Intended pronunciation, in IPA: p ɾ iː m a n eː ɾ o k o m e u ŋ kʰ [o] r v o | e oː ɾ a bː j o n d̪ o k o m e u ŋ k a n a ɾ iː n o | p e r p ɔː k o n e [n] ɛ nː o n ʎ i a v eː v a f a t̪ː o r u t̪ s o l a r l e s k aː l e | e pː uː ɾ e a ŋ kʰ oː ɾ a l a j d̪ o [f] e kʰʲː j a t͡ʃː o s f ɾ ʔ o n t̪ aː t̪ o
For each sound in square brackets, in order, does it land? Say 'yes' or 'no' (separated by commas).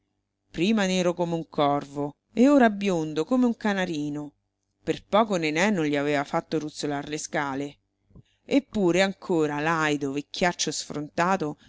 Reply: no, yes, no